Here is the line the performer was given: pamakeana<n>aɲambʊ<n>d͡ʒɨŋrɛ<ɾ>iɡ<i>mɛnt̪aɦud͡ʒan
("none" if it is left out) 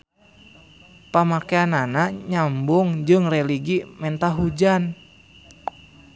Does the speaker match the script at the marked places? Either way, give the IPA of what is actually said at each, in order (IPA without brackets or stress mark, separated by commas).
n, ŋ, l, i